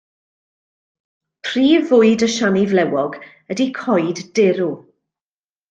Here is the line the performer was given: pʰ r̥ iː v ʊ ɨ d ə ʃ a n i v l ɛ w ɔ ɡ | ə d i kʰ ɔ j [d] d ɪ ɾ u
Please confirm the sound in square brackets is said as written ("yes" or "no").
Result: yes